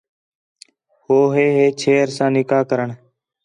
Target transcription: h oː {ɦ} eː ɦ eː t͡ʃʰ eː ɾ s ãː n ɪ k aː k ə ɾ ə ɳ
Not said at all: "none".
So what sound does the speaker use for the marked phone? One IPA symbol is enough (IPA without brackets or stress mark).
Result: ɦ